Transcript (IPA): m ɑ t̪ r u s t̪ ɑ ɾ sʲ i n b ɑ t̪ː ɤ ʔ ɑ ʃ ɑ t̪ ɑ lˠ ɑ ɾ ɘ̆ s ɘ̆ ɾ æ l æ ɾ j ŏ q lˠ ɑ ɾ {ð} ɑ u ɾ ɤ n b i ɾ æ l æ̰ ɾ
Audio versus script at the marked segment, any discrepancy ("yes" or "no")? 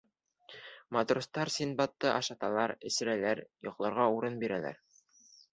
yes